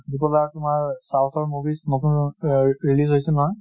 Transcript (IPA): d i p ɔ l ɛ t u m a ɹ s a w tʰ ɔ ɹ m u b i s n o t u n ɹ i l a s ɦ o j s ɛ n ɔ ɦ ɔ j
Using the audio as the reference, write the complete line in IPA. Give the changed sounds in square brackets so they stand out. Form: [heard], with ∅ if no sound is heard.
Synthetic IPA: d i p ɔ l [a] t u m a ɹ s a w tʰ ɔ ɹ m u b i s n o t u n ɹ i l [i] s ɦ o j s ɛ n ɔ ɦ ɔ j